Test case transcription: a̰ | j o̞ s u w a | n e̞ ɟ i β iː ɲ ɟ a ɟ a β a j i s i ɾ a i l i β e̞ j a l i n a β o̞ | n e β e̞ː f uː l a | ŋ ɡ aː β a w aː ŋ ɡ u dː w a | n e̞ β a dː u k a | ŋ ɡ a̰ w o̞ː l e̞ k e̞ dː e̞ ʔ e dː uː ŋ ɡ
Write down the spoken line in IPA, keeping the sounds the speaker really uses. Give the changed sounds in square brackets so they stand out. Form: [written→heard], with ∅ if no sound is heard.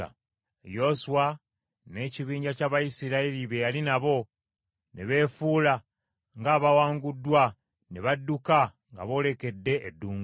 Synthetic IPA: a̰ | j o̞ s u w a | n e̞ [ɟ→c] i β iː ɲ ɟ a [ɟ→c] a β a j i s i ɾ a i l i β e̞ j a l i n a β o̞ | n e β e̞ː f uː l a | ŋ ɡ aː β a w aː ŋ ɡ u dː w a | n e̞ β a dː u k a | ŋ ɡ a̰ [w→β] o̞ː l e̞ k e̞ dː e̞ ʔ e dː uː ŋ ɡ